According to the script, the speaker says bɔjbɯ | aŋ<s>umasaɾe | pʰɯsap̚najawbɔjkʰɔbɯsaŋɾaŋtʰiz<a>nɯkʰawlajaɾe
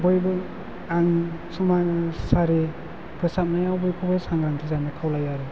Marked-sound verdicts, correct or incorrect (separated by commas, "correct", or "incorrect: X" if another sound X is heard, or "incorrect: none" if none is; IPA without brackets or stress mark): correct, correct